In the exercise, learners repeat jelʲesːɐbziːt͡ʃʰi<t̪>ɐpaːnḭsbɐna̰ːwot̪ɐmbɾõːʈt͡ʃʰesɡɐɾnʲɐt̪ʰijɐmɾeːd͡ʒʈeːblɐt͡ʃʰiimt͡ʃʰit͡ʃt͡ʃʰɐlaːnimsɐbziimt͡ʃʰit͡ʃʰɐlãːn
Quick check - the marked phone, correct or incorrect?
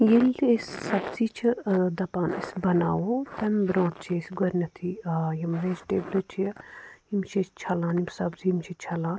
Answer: incorrect